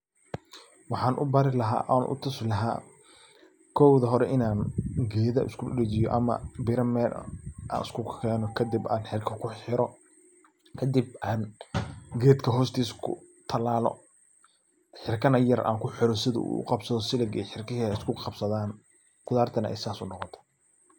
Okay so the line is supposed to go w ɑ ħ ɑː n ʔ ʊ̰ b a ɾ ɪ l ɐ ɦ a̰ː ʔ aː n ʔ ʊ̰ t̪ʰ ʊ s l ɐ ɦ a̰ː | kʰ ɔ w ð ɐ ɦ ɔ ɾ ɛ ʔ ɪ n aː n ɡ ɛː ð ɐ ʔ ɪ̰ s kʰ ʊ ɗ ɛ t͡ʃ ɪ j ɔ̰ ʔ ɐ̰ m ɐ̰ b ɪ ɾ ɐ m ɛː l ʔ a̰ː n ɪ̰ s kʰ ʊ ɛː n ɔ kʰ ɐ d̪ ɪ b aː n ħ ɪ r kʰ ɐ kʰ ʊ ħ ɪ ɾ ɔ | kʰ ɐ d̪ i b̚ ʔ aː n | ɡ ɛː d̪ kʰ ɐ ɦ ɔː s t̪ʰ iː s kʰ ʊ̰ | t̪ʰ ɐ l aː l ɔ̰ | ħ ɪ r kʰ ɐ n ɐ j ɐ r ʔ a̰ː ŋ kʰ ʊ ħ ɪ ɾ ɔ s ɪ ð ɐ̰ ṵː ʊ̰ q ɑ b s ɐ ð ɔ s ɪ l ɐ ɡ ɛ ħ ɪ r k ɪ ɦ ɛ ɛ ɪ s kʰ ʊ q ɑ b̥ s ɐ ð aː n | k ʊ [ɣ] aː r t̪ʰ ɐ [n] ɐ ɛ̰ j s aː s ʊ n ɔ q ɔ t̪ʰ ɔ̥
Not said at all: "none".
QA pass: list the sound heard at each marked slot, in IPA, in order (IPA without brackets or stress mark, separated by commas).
ð, n